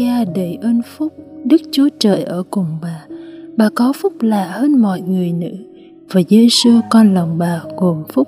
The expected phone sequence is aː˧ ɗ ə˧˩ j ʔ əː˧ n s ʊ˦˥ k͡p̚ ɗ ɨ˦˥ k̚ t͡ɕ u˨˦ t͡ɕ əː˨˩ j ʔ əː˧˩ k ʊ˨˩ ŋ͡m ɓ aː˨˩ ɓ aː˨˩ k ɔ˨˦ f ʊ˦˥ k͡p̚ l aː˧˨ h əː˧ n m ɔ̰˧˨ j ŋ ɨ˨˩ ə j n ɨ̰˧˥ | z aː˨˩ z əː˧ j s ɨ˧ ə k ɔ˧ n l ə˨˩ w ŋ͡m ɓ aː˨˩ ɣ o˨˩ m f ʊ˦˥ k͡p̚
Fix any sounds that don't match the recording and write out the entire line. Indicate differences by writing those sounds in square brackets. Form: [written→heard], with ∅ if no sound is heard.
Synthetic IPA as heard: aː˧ ɗ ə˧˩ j ʔ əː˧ n [s→f] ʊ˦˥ k͡p̚ ɗ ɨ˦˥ k̚ t͡ɕ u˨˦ t͡ɕ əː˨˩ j ʔ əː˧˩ k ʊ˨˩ ŋ͡m ɓ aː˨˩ ɓ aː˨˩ k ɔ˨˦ f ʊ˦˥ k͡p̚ l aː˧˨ h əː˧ n m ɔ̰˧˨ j ŋ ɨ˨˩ ə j n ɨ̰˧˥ | [z→v] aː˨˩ z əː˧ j s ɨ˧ ə k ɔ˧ n l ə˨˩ w ŋ͡m ɓ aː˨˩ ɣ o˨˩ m f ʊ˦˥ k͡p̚